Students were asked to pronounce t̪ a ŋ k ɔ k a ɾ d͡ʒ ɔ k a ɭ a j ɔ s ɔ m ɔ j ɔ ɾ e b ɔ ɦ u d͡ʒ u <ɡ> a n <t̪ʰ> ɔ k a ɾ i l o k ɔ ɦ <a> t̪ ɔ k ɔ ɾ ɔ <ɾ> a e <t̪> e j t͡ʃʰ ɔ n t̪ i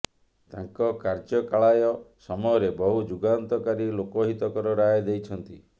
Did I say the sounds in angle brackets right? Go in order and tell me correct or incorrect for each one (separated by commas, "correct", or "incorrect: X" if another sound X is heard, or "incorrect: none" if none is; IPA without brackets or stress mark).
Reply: correct, incorrect: t̪, incorrect: i, correct, incorrect: d̪